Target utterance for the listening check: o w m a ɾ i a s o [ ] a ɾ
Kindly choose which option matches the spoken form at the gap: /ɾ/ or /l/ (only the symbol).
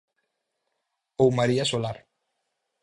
l